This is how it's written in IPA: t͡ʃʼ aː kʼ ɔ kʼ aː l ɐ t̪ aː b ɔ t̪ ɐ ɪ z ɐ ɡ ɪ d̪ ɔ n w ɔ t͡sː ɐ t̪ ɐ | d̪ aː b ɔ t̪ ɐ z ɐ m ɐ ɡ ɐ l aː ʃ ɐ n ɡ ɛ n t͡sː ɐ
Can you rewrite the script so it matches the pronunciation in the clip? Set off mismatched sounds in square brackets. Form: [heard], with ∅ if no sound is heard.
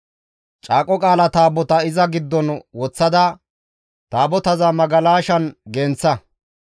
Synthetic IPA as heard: t͡ʃʼ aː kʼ ɔ kʼ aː l ɐ t̪ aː b ɔ t̪ ɐ ɪ z ɐ ɡ ɪ [d̪ː] ɔ n w ɔ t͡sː ɐ [d̪] ɐ | [t̪] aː b ɔ t̪ ɐ z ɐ m ɐ ɡ ɐ l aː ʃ ɐ n ɡ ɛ n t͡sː ɐ